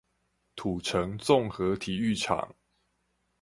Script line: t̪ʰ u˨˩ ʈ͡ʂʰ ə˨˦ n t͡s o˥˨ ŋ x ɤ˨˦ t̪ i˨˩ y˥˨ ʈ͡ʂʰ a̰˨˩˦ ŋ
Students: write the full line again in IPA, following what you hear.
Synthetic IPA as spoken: t̪ʰ u˨˩ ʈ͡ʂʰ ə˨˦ ŋ t͡s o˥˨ ŋ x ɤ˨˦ t̪ʰ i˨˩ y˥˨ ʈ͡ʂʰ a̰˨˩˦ ŋ